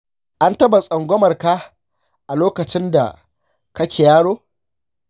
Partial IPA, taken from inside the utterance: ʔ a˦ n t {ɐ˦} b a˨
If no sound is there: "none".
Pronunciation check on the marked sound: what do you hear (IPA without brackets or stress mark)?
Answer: ɐ˦